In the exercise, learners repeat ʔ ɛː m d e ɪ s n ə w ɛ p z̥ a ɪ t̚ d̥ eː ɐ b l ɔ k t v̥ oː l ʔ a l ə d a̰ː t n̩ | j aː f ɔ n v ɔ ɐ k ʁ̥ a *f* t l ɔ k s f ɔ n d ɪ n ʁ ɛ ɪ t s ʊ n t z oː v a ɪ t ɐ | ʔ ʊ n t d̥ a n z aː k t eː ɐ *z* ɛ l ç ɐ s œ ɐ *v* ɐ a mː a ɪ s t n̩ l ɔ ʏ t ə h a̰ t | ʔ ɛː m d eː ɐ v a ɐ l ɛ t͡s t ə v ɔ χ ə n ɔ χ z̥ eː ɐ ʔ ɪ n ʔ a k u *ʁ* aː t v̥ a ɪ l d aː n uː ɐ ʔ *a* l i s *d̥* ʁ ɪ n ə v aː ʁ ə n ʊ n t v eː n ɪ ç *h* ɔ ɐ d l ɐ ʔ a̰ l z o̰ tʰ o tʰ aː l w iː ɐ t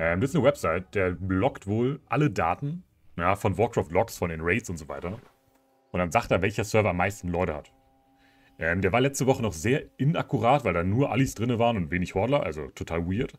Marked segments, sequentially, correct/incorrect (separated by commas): correct, incorrect, correct, correct, correct, correct, correct